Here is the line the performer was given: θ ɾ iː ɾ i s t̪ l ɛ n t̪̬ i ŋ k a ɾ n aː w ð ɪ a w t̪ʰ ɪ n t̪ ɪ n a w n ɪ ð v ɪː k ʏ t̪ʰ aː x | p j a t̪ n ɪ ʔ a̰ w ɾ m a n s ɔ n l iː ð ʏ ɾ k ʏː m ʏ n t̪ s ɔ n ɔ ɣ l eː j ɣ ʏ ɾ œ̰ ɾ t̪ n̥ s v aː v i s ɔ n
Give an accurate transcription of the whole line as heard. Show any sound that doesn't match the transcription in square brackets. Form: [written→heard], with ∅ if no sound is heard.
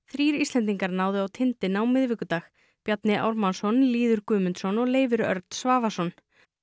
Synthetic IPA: θ ɾ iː ɾ i s t̪ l ɛ n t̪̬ i ŋ k a ɾ n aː w ð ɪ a w t̪ʰ ɪ n t̪ ɪ n a w [n→m] ɪ ð v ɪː k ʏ [t̪ʰ→t̪] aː x | p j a t̪ n ɪ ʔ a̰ w ɾ m a n s ɔ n l iː ð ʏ ɾ k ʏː m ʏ n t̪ s ɔ n ɔ ɣ l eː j [ɣ→v] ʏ ɾ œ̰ ɾ t̪ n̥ s v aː v [i→a] s ɔ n

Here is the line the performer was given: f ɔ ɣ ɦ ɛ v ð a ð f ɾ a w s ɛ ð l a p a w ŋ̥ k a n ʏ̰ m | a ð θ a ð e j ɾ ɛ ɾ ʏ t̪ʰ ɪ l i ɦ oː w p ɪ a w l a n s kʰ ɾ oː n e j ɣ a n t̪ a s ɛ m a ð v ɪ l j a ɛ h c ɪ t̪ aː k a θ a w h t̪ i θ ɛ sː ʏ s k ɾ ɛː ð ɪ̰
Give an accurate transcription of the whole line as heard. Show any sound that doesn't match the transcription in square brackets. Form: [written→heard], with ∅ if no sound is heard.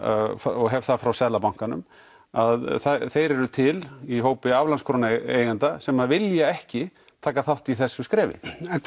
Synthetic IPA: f ɔ ɣ ɦ ɛ v [ð→θ] a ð f ɾ a w s ɛ ð l a p a w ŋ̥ k a n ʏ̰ m | a ð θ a [ð→θ] e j ɾ ɛ ɾ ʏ t̪ʰ ɪ l i ɦ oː w p ɪ a [w→v] l a n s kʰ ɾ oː n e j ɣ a n t̪ a s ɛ m a ð v ɪ l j a ɛ h c ɪ [t̪→t̪ʰ] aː k a θ a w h t̪ i θ ɛ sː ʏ s k ɾ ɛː [ð→v] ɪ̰

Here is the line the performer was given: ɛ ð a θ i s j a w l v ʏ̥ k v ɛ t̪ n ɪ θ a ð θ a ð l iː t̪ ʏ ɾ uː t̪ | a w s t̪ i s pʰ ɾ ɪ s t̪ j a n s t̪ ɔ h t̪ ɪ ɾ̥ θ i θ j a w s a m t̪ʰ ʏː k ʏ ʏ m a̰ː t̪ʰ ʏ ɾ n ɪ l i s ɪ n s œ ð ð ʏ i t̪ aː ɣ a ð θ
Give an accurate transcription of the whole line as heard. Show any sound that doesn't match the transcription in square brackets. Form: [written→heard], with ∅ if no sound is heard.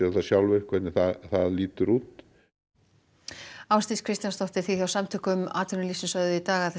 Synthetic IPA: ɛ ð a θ [i→a] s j a w l v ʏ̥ k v ɛ t̪ n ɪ θ a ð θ a ð l iː t̪ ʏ ɾ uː t̪ | a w s t̪ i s [pʰ→kʰ] ɾ ɪ s t̪ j a n s t̪ ɔ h t̪ ɪ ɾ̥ θ i θ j a w s a m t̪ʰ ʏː k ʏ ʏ m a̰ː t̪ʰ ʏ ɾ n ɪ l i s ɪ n s œ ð ð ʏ i t̪ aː ɣ a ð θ

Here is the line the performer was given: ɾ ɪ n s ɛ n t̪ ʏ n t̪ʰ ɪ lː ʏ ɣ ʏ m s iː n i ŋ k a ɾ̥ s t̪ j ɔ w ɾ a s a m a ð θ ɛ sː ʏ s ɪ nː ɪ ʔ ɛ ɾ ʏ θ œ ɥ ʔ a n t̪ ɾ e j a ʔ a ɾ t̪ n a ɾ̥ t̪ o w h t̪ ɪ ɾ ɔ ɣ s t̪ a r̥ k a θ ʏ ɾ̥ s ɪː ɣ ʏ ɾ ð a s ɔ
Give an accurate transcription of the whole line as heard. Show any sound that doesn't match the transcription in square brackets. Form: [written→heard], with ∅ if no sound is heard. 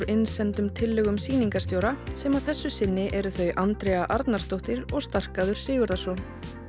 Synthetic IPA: ɾ ɪ n s ɛ n t̪ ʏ [n→m] t̪ʰ ɪ lː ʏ ɣ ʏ m s iː n i ŋ k a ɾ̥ s t̪ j [ɔ→o] w ɾ a s [a→ɛ] m a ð θ ɛ sː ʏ s ɪ nː ɪ ʔ ɛ ɾ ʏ θ œ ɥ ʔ a n t̪ ɾ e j a ʔ a ɾ t̪ n a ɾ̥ t̪ o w h t̪ ɪ ɾ ɔ ɣ s t̪ a r̥ k a [θ→ð] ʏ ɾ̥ s ɪː ɣ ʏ ɾ ð a s ɔ

